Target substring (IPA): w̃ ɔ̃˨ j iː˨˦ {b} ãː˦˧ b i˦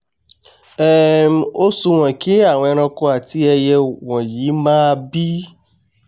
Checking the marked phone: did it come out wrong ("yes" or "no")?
yes